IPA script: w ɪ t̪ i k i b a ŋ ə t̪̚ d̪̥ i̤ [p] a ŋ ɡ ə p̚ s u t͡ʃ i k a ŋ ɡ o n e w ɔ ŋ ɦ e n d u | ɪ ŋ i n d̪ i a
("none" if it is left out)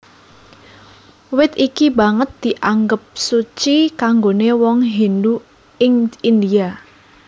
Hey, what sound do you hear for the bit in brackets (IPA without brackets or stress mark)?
ʔ